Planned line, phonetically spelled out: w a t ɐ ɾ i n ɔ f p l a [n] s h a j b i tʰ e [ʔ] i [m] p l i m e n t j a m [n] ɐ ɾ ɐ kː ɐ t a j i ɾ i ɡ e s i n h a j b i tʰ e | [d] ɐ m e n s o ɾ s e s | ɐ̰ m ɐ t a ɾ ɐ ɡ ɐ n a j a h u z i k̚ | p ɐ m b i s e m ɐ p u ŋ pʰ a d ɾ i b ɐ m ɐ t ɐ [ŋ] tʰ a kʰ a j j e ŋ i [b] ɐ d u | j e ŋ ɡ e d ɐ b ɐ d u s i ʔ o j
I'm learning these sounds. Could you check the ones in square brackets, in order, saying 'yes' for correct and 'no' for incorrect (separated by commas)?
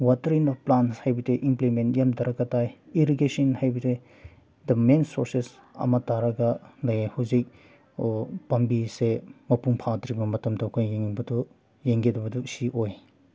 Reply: yes, yes, yes, no, yes, no, yes